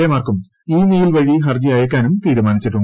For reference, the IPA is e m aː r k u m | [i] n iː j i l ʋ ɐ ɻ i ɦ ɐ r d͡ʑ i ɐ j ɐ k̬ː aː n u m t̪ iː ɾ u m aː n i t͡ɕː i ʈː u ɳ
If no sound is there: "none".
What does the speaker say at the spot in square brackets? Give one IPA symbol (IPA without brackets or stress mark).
iː